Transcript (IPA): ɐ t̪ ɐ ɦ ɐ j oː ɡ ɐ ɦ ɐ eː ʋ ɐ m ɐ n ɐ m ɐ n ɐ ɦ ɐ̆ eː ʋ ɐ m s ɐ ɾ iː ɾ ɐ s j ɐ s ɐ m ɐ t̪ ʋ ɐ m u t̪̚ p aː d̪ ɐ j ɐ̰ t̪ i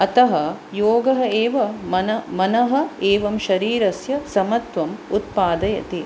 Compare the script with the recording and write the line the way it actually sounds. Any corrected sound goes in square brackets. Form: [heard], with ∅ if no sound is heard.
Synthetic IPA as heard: ɐ t̪ ɐ ɦ ɐ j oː ɡ ɐ ɦ ɐ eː ʋ ɐ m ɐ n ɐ m ɐ n ɐ ɦ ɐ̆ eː ʋ ɐ m [ʃ] ɐ ɾ iː ɾ ɐ s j ɐ s ɐ m ɐ t̪ ʋ ɐ m u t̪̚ p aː d̪ ɐ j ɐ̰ t̪ i